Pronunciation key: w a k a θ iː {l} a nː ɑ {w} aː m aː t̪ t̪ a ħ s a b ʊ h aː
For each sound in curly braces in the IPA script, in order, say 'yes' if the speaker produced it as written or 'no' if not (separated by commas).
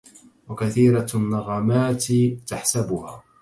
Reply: no, no